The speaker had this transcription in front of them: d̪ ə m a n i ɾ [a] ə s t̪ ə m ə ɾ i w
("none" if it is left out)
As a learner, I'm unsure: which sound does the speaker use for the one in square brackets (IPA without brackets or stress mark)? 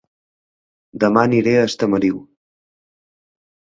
e